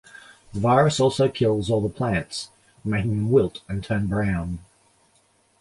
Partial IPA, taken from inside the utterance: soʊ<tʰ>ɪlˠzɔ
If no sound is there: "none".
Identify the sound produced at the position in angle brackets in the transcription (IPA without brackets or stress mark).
kʰ